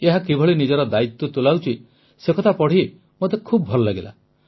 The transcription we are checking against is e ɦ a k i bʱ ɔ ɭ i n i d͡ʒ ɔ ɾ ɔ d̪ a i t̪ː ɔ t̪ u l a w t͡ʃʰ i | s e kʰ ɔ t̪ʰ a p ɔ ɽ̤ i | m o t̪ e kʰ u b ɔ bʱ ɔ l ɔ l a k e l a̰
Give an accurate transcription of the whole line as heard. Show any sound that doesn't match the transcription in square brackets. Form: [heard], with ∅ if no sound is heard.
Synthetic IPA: e ɦ a k i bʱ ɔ ɭ i n i d͡ʒ ɔ ɾ ɔ d̪ a i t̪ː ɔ t̪ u l a w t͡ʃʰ i | s e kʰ ɔ t̪ʰ a p ɔ ɽ̤ i | m o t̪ e kʰ u b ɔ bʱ ɔ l ɔ l a [ɡ] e l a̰